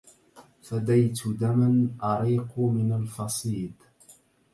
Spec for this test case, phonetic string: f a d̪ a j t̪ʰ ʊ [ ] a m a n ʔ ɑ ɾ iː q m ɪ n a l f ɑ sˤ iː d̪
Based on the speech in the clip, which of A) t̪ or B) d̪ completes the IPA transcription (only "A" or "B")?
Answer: B